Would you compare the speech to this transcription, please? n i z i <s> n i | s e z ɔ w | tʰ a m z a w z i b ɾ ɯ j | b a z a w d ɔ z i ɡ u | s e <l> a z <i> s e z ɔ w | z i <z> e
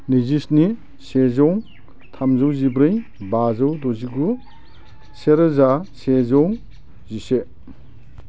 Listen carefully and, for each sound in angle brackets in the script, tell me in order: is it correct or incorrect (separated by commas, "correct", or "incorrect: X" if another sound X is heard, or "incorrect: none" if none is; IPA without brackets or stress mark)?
correct, incorrect: ɾ, incorrect: a, incorrect: s